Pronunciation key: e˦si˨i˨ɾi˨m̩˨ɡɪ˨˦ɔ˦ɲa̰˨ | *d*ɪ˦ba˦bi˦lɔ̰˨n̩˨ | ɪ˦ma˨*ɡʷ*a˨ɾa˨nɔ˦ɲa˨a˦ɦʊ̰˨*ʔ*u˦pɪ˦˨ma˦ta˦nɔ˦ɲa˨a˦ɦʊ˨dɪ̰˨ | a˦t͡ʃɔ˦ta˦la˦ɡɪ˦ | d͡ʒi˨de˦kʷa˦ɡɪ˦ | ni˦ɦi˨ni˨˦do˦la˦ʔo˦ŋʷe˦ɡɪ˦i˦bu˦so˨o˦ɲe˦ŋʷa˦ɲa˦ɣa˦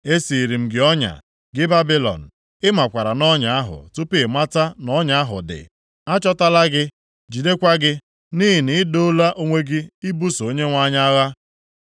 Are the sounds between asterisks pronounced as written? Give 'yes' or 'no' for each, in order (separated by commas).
no, no, no